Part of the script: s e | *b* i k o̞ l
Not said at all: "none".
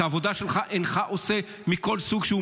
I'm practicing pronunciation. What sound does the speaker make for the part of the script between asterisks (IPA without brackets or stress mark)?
m